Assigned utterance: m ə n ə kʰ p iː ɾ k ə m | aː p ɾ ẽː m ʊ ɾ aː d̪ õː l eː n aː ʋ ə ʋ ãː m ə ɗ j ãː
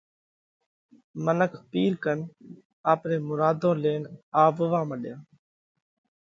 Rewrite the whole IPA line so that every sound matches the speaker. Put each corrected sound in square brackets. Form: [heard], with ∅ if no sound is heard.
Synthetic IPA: m ə n ə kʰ p iː ɾ k ə [n] | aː p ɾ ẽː m ʊ ɾ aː d̪ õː l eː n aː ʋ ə ʋ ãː m ə ɗ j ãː

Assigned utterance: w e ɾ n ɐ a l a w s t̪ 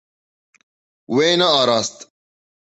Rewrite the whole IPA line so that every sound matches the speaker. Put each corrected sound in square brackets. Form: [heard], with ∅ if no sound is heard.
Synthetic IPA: w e [∅] n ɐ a [ɾ] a [∅] s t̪

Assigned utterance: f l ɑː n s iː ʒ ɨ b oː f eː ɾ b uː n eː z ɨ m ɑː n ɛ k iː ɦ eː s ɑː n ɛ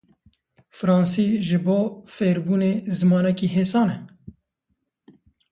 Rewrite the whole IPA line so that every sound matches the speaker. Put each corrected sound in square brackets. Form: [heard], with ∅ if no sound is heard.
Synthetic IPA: f [ɾ] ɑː n s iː ʒ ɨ b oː f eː ɾ b uː n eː z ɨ m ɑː n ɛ k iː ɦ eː s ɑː n ɛ

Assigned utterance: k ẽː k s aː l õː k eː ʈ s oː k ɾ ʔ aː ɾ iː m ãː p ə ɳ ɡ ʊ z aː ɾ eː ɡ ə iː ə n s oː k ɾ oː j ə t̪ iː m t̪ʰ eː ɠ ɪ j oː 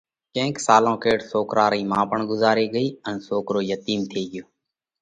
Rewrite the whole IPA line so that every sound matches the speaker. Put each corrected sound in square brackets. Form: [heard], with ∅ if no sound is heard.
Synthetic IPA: k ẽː k s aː l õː k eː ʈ s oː k ɾ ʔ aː ɾ iː m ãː p ə ɳ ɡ ʊ z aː ɾ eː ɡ ə iː ə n s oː k ɾ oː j ə t̪ iː m t̪ʰ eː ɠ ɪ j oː

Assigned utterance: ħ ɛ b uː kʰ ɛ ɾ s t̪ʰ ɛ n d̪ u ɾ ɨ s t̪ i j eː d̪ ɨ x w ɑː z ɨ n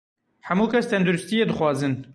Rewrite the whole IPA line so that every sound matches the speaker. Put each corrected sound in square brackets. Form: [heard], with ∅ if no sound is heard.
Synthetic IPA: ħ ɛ [m] uː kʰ ɛ [∅] s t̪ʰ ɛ n d̪ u ɾ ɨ s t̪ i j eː d̪ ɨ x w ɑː z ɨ n

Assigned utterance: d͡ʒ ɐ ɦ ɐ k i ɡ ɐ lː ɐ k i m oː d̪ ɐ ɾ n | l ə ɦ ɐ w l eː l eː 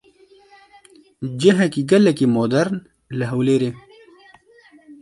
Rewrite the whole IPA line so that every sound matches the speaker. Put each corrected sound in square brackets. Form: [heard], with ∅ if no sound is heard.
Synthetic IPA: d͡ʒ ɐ ɦ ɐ k i ɡ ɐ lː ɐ k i m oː d̪ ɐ ɾ n | l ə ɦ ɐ w l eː [ɾ] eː

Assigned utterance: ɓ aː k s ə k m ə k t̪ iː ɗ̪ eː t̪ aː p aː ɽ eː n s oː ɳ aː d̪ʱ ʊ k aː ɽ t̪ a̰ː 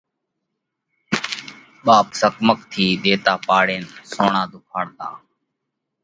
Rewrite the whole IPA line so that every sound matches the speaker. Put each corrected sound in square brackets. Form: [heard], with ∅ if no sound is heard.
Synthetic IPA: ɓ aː [p] s ə k m ə k [t̪ʰ] iː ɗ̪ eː t̪ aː p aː ɽ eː n s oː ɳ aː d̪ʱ ʊ [kʰ] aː ɽ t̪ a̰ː

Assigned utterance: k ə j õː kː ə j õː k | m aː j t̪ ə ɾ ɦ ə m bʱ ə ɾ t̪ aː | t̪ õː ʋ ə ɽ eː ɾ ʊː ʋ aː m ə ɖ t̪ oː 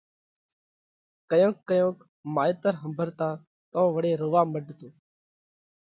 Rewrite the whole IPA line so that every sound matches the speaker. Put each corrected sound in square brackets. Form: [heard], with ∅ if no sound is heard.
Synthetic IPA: k ə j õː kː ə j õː k | m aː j t̪ ə ɾ ɦ ə m bʱ ə ɾ t̪ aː | t̪ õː ʋ ə ɽ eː ɾ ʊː ʋ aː m ə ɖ t̪ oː

